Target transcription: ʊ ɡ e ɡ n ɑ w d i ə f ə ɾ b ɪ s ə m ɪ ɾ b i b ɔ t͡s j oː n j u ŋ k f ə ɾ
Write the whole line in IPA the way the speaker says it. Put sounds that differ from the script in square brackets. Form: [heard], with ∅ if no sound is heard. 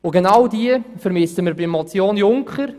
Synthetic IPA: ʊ ɡ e [∅] n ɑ w d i ə f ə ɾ [m] ɪ s ə m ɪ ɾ b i [m] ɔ t͡s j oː n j [ʊ] ŋ k [χ] ə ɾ